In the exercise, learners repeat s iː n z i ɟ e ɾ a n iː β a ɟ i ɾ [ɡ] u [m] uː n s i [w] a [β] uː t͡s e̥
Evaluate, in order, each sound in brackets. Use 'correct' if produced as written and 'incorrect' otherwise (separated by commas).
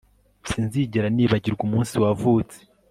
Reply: correct, correct, correct, incorrect